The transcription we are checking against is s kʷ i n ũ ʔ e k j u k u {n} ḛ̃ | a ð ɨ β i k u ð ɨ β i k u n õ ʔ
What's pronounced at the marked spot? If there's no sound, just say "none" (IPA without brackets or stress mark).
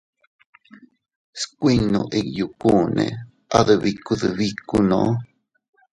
n